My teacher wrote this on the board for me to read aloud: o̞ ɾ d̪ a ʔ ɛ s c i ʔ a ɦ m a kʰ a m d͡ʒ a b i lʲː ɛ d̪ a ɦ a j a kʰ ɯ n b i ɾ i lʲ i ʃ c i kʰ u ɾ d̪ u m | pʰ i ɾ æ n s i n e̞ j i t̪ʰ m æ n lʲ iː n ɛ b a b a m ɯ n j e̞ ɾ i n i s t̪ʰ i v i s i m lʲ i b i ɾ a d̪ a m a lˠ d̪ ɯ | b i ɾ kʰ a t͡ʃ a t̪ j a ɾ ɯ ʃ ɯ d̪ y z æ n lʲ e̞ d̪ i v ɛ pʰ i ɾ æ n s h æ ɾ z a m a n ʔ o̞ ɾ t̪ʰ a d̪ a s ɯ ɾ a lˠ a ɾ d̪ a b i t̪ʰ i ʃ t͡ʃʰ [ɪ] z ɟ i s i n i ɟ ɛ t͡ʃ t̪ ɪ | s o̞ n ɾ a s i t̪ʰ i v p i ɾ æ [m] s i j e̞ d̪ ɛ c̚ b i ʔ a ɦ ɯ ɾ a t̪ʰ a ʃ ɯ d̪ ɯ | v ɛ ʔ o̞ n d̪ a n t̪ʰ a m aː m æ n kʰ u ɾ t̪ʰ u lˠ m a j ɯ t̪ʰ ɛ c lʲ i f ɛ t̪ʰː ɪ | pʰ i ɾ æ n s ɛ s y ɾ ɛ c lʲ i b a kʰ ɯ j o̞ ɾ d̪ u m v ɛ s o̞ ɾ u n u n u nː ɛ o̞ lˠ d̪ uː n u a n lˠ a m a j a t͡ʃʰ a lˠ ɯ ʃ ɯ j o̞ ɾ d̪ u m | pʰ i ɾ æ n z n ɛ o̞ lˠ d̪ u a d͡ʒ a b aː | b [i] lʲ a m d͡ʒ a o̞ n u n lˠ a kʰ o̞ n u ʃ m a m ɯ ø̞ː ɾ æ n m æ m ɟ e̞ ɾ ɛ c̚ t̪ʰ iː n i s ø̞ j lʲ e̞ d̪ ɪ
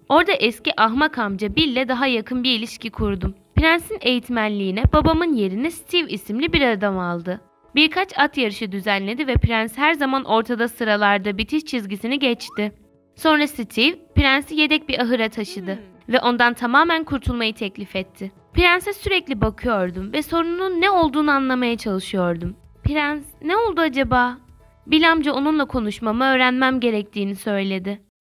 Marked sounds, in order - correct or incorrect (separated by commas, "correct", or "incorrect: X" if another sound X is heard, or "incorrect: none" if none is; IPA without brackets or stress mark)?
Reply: incorrect: i, incorrect: n, correct